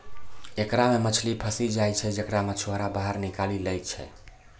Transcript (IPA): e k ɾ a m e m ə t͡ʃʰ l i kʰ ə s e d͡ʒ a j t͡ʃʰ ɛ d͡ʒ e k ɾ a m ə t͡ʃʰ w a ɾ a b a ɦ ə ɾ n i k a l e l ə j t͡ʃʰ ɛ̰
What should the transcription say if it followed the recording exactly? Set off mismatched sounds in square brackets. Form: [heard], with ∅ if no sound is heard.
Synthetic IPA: e k ɾ a m e m ə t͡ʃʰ l i [pʰ] ə s [i] d͡ʒ a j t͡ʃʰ ɛ d͡ʒ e k ɾ a m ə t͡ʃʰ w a ɾ a b a ɦ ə ɾ n i k a l [i] l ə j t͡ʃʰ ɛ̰

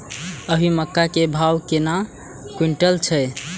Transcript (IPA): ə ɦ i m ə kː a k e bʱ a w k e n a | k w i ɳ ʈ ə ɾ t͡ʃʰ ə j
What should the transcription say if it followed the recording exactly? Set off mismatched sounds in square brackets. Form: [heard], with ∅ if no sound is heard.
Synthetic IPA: ə ɦ i m ə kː a k e bʱ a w k e n a | k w i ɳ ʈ ə [l] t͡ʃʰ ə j

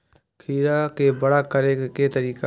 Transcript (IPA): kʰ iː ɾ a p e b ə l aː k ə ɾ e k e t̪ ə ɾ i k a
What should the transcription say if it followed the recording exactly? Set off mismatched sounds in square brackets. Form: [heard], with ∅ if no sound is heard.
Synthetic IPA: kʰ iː ɾ a [k] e b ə [ɽ] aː k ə ɾ e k e t̪ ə ɾ [iː] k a

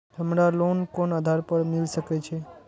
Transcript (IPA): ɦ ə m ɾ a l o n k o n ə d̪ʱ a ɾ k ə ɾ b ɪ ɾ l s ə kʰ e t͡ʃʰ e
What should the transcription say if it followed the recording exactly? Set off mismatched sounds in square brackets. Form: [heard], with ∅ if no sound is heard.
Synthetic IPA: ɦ ə m ɾ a l o n k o n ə d̪ʱ a ɾ [p] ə ɾ [m] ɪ [∅] l s ə [k] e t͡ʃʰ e

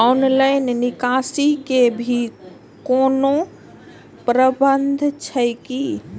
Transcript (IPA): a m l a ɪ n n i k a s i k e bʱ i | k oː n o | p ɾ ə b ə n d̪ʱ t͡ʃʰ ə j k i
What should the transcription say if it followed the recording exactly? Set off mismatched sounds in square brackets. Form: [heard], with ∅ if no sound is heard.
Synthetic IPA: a [n] l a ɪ n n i k a s i k e bʱ i | k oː n o | p ɾ ə b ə n d̪ʱ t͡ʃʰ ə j k i

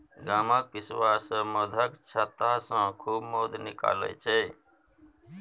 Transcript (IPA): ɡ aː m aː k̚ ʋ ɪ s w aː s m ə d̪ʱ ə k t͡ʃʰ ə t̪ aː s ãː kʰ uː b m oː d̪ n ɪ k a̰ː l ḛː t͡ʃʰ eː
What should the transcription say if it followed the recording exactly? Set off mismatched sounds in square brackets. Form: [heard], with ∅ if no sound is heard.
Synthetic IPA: ɡ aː m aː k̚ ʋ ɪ s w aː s m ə d̪ʱ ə k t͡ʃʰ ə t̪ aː s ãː kʰ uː b m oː d̪ n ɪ k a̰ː l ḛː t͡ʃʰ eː

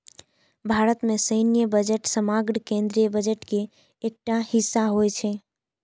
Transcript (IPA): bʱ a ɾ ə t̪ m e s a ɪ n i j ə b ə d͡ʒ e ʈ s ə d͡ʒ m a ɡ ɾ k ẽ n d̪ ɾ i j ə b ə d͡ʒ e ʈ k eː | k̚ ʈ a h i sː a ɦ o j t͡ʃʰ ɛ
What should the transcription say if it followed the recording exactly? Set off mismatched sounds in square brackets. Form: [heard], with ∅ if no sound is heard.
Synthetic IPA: bʱ a ɾ ə t̪ m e s [ə] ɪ n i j ə b ə d͡ʒ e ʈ s ə [∅] m a ɡ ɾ k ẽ n d̪ ɾ i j ə b ə d͡ʒ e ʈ k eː | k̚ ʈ a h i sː a ɦ o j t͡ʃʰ ɛ

